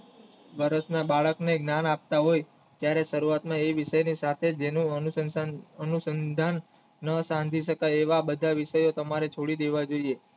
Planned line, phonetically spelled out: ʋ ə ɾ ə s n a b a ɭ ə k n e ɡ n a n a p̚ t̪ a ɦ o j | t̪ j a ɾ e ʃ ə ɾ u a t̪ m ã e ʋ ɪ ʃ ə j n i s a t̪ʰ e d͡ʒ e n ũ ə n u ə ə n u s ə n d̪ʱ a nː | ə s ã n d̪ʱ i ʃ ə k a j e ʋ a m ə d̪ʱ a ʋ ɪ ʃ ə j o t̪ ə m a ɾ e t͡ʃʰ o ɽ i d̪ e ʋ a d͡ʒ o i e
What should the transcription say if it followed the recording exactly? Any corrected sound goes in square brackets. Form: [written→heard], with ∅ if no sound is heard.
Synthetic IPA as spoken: ʋ ə ɾ ə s n a b a ɭ ə k n e ɡ n a n a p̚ t̪ a ɦ o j | t̪ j a ɾ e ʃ ə ɾ u a t̪ m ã e ʋ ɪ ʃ ə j n i s a t̪ʰ e d͡ʒ e n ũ ə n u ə ə n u s ə n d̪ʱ a nː | ə s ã n d̪ʱ i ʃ ə k a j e ʋ a [m→b] ə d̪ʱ a ʋ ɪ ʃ ə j o t̪ ə m a ɾ e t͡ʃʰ o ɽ i d̪ e ʋ a d͡ʒ o i e